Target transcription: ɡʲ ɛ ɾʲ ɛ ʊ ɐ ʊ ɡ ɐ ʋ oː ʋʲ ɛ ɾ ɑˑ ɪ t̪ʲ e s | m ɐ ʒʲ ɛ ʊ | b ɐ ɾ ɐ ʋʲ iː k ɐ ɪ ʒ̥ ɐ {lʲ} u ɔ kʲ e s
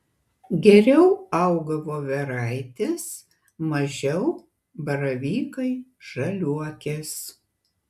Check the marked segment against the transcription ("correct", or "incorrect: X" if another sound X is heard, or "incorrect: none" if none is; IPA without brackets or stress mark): correct